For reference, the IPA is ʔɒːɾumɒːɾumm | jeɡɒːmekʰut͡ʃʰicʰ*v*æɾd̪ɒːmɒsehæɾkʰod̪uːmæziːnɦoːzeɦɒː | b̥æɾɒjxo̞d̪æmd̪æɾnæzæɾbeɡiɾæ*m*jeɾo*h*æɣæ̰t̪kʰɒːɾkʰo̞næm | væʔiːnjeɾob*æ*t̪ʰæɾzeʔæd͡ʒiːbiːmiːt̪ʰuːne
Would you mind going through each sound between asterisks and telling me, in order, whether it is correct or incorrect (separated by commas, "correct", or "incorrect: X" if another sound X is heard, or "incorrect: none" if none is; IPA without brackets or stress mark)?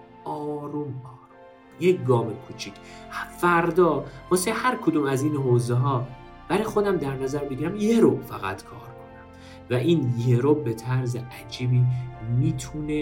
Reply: incorrect: f, correct, incorrect: f, incorrect: e